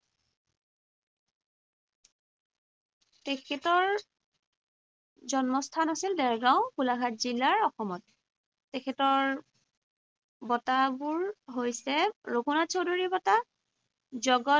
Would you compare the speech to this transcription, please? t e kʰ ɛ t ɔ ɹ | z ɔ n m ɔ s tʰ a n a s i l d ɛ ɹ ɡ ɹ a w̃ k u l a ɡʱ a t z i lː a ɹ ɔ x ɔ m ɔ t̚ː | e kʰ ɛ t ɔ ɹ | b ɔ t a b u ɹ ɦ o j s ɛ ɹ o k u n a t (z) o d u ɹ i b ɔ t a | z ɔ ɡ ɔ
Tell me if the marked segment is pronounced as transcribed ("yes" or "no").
no